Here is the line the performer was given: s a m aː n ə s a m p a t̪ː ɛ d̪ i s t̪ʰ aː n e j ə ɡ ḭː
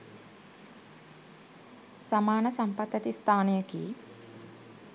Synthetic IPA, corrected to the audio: s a m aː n ə s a m p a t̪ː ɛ t̪ i s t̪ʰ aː n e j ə k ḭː